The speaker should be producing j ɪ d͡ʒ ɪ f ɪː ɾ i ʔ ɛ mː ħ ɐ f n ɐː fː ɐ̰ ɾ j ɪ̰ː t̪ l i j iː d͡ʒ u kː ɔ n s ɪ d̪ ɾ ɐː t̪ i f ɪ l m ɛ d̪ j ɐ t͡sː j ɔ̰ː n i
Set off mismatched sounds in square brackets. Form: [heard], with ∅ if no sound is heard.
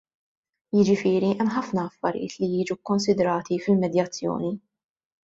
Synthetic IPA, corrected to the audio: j ɪ d͡ʒ ɪ f ɪː ɾ i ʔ ɛ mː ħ ɐ f n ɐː fː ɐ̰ ɾ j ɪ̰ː t̪ l i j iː d͡ʒ u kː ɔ n s ɪ d̪ ɾ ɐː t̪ i f ɪ l m ɛ d̪ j ɐ t͡sː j ɔ̰ː n i